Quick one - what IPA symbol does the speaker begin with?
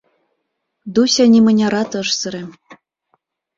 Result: d̪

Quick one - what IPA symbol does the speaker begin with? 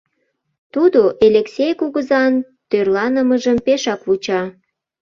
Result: t̪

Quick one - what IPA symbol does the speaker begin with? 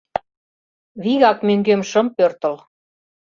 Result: β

